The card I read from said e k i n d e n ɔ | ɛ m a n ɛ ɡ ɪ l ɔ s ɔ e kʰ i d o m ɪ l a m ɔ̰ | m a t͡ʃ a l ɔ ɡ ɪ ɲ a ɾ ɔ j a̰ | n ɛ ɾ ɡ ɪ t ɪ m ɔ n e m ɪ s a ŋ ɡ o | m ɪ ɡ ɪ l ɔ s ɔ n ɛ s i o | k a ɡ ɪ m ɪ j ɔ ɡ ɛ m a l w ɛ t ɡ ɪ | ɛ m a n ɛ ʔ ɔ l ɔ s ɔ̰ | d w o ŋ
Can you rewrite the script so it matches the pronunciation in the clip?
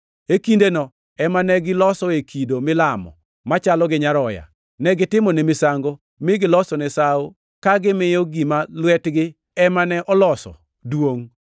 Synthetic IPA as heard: e k i n d e n ɔ | ɛ m a n ɛ ɡ ɪ l ɔ s ɔ e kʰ i d o m ɪ l a m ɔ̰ | m a t͡ʃ a l ɔ ɡ ɪ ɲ a ɾ ɔ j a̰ | n ɛ ɡ ɪ t ɪ m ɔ n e m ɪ s a ŋ ɡ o | m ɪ ɡ ɪ l ɔ s ɔ n ɛ s a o | k a ɡ ɪ m ɪ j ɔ ɡ i m a l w ɛ t ɡ ɪ | ɛ m a n ɛ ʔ ɔ l ɔ s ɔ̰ | d w o ŋ